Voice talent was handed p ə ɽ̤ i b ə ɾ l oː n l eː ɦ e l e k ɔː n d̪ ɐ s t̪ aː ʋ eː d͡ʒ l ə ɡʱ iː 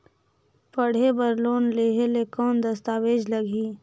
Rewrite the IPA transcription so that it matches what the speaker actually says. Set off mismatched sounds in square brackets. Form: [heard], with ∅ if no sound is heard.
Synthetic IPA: p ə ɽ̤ [e] b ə ɾ l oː n l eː ɦ e l e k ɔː n d̪ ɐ s t̪ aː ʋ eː d͡ʒ l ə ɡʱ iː